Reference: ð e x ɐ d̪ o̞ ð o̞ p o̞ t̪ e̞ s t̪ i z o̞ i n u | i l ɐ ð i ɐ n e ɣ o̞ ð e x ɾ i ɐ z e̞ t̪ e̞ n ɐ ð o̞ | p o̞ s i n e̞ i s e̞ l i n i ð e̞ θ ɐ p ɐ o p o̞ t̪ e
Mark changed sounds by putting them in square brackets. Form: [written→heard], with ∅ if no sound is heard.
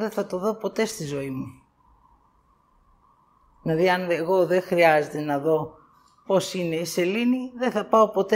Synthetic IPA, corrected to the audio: ð e [x→θ] ɐ [d̪→t̪] o̞ ð o̞ p o̞ t̪ e̞ s t̪ i z o̞ i [n→m] u | i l ɐ ð i ɐ n e ɣ o̞ ð e x ɾ i ɐ z e̞ t̪ e̞ n ɐ ð o̞ | p o̞ s i n e̞ i s e̞ l i n i ð e̞ θ ɐ p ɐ o p o̞ t̪ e